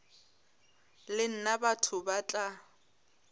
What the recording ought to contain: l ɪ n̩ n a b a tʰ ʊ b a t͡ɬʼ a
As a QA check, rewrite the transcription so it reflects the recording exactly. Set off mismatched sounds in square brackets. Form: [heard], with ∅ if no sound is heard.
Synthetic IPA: l ɪ n̩ n a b a tʰ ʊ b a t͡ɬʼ a